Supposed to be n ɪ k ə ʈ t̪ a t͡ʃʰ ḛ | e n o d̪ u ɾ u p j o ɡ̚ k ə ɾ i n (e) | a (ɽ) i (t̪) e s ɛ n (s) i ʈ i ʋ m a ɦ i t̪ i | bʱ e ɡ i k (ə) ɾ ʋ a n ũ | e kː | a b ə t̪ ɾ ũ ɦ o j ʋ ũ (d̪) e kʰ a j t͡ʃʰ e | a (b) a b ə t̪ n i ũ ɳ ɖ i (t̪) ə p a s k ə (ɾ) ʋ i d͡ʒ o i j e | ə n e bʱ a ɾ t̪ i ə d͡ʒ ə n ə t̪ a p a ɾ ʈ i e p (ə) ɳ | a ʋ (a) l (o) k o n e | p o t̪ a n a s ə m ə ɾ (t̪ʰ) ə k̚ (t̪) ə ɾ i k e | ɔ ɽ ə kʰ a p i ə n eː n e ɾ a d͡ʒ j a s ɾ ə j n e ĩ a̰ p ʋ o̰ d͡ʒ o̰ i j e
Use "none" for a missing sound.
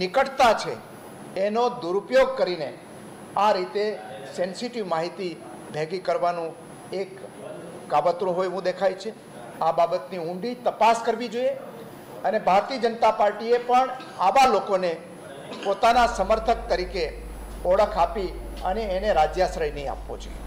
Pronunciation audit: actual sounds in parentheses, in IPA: e, ɾ, t̪, s, ə, d̪, b, t̪, ɾ, ə, a, o, t̪ʰ, t̪

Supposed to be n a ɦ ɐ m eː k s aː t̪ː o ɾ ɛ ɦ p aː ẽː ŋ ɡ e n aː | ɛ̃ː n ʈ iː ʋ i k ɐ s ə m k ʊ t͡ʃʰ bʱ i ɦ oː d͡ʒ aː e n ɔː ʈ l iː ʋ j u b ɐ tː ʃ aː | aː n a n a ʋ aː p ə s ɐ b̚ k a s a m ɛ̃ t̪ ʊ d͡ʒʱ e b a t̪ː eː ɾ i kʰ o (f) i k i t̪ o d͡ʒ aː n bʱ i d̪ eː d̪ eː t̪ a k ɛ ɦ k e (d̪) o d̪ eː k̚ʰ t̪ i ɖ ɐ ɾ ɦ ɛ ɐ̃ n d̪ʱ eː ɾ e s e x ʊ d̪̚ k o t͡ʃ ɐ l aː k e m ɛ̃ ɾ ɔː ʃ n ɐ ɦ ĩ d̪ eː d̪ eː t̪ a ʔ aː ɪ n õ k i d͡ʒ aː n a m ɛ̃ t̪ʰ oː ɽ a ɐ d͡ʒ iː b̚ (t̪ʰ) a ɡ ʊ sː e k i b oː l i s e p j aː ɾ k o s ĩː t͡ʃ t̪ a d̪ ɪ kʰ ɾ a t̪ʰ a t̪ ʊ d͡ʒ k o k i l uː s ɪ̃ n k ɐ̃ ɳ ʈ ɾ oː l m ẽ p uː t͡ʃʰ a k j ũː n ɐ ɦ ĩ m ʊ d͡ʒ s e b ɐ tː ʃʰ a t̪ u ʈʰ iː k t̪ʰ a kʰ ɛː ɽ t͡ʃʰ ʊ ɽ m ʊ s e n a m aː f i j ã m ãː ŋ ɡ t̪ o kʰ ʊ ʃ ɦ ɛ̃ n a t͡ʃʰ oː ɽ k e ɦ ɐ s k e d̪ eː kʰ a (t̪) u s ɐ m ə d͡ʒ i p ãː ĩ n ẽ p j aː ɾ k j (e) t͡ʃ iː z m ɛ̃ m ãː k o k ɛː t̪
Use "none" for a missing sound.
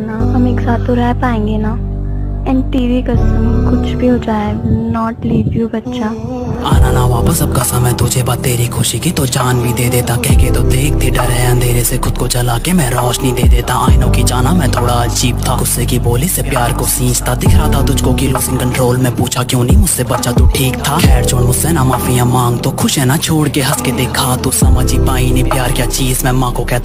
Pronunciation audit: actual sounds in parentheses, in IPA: ʃ, t̪, t̪ʰ, t̪, a

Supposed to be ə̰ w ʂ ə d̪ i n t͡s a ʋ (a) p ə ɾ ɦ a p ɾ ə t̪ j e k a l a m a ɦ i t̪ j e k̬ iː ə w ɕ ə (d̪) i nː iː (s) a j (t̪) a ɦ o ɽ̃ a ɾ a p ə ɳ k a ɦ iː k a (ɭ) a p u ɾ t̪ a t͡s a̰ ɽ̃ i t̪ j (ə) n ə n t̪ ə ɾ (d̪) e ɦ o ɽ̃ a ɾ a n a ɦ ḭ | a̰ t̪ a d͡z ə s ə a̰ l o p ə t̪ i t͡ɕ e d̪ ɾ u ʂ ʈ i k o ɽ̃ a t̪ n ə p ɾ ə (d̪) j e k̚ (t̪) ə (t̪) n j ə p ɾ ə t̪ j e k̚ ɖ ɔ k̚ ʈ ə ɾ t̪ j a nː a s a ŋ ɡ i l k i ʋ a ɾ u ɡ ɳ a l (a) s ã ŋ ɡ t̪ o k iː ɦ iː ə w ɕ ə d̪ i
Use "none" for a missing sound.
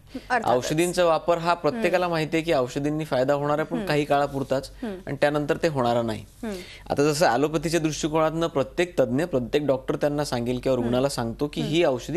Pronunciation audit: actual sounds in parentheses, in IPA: a, d̪, f, d̪, ɭ, a, t̪, t̪, t̪, d̪, a

